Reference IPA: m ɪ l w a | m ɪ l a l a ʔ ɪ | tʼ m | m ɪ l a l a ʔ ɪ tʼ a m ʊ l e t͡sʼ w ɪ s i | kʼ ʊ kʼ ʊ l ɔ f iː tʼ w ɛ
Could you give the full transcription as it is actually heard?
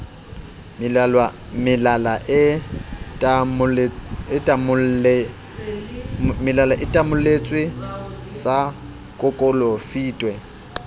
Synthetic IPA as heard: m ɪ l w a | m ɪ l a l a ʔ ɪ | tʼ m | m ɪ l a l a ʔ ɪ tʼ a m ʊ l e t͡sʼ w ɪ s a | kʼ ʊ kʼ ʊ l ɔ f iː tʼ w ɛ